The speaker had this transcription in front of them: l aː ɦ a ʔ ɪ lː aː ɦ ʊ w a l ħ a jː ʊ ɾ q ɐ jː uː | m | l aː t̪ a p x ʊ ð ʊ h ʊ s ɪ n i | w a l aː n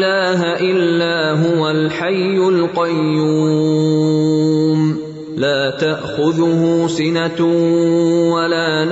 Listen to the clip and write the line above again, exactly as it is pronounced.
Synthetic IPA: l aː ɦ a ʔ ɪ lː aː ɦ ʊ w a l ħ a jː ʊ l q ɑ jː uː | m | l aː t̪ a ʔ x ʊ ð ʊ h ʊ s ɪ n a | w a l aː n